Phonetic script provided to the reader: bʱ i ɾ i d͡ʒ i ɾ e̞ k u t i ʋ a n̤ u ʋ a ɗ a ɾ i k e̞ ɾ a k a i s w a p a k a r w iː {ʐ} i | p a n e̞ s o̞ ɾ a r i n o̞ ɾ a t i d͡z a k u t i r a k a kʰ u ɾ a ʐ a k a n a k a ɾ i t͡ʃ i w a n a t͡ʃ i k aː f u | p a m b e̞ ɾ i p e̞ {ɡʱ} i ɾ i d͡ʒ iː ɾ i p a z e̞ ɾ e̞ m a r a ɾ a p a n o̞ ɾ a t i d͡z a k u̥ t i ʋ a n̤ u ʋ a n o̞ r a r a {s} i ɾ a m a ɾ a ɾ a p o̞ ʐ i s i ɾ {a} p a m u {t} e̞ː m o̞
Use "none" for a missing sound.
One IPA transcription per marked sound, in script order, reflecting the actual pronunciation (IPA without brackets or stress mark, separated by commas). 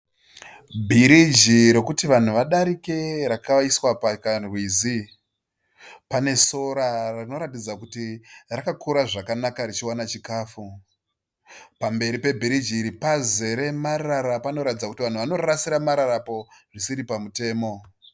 z, bʱ, s, i, t